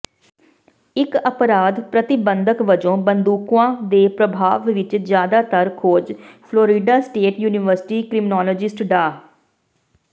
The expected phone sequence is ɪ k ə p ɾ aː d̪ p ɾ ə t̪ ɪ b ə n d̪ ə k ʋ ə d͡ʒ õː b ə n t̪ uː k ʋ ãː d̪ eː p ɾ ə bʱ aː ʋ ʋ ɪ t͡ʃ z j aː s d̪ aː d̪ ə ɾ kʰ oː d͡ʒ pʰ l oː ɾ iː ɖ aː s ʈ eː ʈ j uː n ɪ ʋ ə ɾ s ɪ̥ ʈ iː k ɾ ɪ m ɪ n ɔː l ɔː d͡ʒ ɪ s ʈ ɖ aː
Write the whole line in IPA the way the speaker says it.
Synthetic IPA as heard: ɪ k ə p ɾ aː d̪ p ɾ ə t̪ ɪ b ə n d̪ ə k ʋ ə d͡ʒ õː b ə n d̪ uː k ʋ ãː d̪ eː p ɾ ə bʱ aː ʋ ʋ ɪ t͡ʃ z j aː d̪ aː t̪ ə ɾ kʰ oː d͡ʒ pʰ l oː ɾ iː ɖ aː s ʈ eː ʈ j uː n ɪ ʋ ə ɾ s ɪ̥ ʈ iː k ɾ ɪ m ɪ n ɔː l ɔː d͡ʒ ɪ s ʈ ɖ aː